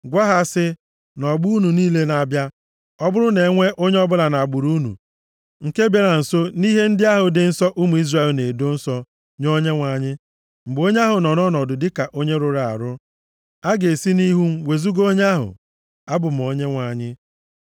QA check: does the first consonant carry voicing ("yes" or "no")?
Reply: yes